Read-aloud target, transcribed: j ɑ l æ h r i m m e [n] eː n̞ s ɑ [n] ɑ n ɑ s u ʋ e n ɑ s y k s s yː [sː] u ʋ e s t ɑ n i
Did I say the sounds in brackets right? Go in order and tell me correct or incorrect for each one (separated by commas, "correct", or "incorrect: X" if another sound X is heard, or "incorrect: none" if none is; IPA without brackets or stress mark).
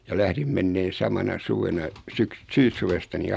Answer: incorrect: nː, incorrect: m, correct